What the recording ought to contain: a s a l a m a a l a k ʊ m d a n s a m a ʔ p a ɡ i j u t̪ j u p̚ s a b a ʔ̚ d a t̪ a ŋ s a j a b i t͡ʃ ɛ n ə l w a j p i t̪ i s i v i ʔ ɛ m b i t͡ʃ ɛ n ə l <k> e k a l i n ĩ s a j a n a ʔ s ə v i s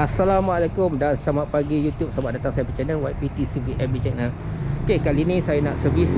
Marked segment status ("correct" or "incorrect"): correct